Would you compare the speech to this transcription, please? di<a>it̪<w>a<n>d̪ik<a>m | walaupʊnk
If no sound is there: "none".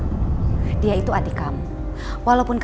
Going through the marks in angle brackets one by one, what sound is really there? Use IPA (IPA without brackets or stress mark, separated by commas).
a, u, none, a